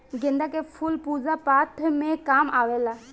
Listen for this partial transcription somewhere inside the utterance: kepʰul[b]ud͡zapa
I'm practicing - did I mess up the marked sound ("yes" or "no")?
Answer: yes